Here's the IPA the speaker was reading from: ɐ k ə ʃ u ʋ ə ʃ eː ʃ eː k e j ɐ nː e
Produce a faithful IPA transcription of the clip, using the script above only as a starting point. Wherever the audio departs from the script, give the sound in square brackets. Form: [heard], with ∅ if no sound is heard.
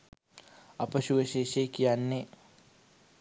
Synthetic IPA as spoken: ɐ [p] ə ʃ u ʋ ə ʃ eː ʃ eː k [i] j [a] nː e